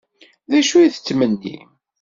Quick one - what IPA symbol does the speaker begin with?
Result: ð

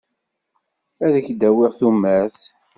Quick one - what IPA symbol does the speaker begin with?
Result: æ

